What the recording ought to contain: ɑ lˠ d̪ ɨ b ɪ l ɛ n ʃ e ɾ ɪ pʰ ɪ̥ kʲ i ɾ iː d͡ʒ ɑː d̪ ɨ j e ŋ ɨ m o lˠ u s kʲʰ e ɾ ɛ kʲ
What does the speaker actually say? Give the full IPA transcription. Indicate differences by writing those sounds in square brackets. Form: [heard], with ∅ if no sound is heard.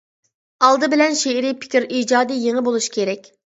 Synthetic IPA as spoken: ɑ lˠ d̪ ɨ b ɪ l ɛ n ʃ e ɾ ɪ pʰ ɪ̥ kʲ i ɾ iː d͡ʒ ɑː d̪ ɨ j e ŋ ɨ [b] o lˠ u [ʃ] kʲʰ e ɾ ɛ kʲ